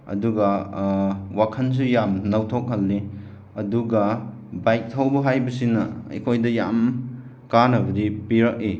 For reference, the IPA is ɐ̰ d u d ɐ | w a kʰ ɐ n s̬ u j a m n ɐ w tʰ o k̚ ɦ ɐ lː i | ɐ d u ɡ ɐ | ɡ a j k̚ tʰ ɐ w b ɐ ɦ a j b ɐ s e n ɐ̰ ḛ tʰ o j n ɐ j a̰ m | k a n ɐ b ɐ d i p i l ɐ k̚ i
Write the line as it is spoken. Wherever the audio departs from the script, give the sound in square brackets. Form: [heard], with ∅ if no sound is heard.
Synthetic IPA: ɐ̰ d u [ɡ] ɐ | w a kʰ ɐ n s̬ u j a m n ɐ w tʰ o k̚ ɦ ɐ lː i | ɐ d u ɡ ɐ | [b] a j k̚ tʰ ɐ w b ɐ ɦ a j b ɐ s [i] n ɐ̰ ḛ [kʰ] o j [d] ɐ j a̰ m | k a n ɐ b ɐ d i p i [ɾ] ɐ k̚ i